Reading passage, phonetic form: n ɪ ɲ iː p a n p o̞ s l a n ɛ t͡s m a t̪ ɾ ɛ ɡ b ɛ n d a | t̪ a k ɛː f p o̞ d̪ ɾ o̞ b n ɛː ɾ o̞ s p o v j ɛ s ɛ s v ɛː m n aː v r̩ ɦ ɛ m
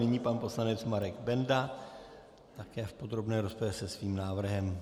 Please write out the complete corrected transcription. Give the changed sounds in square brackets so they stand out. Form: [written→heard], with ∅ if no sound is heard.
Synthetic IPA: n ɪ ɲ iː p a n p o̞ s l a n ɛ t͡s m a [t̪→∅] ɾ ɛ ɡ b ɛ n d a | t̪ a k ɛː f p o̞ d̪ ɾ o̞ b n ɛː ɾ o̞ s p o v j ɛ s ɛ s v [ɛː→iː] m n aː v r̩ ɦ ɛ m